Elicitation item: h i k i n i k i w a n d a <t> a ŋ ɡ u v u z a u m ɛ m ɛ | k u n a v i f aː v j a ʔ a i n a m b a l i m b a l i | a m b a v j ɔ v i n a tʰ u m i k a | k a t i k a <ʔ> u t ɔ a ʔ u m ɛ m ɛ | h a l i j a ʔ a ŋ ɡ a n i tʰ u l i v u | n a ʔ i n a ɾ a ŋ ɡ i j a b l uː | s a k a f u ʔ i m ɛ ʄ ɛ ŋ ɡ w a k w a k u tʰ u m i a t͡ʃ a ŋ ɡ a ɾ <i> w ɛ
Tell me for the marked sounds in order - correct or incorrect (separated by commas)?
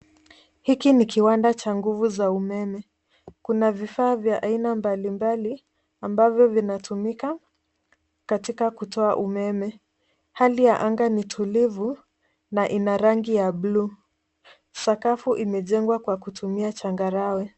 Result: incorrect, incorrect, incorrect